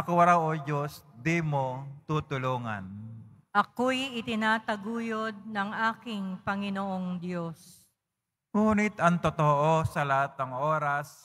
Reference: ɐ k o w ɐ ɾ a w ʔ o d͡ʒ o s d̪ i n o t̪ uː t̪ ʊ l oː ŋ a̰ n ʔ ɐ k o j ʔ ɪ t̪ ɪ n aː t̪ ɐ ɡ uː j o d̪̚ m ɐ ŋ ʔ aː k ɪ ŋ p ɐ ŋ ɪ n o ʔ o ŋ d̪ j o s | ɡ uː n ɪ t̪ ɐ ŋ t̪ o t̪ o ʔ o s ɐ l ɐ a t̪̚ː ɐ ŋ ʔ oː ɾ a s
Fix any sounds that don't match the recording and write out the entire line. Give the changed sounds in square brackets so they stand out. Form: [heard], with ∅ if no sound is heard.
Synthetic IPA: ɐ k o w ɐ ɾ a w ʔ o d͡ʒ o s d̪ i [m] o t̪ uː t̪ ʊ l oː ŋ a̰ n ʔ ɐ k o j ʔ ɪ t̪ ɪ n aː t̪ ɐ ɡ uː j o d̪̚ [n] ɐ ŋ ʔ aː k ɪ ŋ p ɐ ŋ ɪ n o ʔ o ŋ d̪ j o s | [ŋ] uː n ɪ t̪ ɐ ŋ t̪ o t̪ o ʔ o s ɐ l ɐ a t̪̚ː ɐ ŋ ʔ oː ɾ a s